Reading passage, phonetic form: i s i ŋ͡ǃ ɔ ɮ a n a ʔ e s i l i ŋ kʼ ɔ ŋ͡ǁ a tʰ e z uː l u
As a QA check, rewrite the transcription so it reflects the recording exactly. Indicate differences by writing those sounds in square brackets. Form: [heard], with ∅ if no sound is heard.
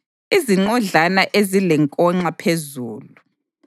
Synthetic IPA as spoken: i [z] i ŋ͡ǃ ɔ ɮ a n a ʔ e [z] i l [ɛ] ŋ kʼ ɔ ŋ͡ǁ a [pʰ] e z uː l u